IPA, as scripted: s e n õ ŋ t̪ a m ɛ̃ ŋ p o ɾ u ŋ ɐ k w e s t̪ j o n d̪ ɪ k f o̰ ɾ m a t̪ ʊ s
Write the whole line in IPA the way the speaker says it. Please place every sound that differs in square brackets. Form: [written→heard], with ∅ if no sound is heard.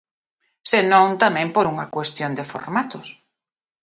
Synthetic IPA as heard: s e n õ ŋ t̪ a m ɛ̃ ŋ p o ɾ u ŋ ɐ k w e s t̪ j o n d̪ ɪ [k→∅] f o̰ ɾ m a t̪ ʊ s